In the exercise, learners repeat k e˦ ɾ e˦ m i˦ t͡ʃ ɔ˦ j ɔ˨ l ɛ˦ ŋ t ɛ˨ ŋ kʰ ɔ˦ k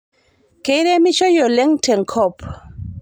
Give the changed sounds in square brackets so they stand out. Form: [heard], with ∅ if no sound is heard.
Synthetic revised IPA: k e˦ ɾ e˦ m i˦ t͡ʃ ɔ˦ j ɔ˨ l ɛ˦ ŋ t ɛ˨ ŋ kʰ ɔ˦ [p]